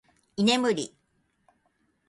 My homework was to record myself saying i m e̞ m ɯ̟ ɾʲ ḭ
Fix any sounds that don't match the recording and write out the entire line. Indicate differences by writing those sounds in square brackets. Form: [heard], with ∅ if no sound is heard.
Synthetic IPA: i [n] e̞ m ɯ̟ ɾʲ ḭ